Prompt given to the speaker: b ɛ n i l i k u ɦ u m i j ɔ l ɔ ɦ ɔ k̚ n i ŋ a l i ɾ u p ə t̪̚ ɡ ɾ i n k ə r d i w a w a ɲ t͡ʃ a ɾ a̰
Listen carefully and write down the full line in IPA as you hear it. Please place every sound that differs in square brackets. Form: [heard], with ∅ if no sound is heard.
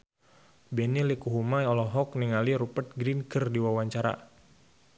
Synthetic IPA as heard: b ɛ n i l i k u ɦ u m [a] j ɔ l ɔ ɦ ɔ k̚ n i ŋ a l i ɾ u p ə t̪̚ ɡ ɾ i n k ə r d i w a w a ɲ t͡ʃ a ɾ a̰